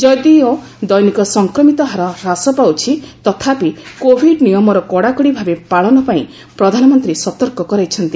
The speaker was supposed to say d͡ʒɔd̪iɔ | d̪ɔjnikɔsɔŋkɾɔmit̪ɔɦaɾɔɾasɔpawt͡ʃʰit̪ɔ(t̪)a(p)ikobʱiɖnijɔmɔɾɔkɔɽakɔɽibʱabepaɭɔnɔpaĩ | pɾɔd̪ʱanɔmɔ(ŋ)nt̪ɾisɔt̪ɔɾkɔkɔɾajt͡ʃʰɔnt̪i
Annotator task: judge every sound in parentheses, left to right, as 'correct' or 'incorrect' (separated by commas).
incorrect, correct, incorrect